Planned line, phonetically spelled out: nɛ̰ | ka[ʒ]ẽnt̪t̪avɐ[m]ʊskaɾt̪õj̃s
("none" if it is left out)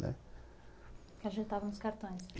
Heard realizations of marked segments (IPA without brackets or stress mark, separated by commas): ʒ, n